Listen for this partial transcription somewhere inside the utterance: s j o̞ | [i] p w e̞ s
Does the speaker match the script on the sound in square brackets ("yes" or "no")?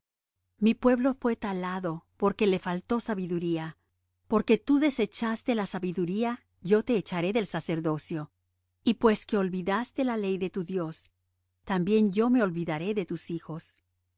yes